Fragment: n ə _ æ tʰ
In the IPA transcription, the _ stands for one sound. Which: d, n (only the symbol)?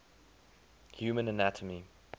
n